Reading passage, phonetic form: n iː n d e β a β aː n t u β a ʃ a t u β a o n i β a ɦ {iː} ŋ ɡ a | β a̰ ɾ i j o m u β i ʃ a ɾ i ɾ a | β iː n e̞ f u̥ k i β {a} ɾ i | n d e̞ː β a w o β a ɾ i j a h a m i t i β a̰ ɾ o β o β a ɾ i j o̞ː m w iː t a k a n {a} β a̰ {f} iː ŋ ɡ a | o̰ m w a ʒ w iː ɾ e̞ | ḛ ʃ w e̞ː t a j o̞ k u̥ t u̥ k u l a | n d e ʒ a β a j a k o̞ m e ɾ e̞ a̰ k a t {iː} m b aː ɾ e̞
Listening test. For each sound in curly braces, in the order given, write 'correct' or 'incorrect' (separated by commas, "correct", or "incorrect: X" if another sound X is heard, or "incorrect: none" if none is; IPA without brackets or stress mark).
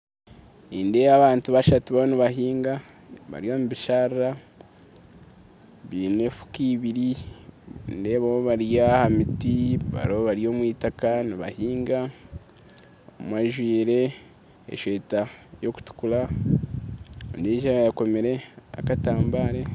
correct, incorrect: i, incorrect: i, incorrect: h, incorrect: aː